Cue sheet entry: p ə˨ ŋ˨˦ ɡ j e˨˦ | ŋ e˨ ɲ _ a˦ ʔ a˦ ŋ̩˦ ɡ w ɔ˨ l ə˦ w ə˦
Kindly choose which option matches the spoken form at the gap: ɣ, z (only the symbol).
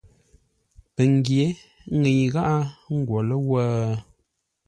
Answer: ɣ